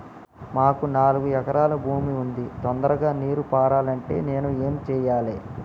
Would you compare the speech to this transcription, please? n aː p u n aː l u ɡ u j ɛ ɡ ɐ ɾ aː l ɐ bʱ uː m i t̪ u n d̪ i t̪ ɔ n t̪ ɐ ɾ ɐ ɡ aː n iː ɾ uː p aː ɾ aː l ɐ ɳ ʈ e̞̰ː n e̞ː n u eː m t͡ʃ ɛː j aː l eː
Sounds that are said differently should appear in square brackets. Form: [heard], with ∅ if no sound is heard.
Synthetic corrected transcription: [m] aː [k] u n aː l u ɡ u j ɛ [k] ɐ ɾ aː l ɐ bʱ uː m i [∅] u n d̪ i t̪ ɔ n [d̪] ɐ ɾ ɐ ɡ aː n iː ɾ [u] p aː ɾ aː l ɐ ɳ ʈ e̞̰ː n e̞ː n u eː m t͡ʃ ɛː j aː l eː